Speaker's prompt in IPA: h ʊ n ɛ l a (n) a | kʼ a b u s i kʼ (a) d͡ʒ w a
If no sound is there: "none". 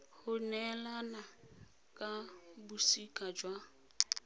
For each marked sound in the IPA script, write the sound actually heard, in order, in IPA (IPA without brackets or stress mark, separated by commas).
n, a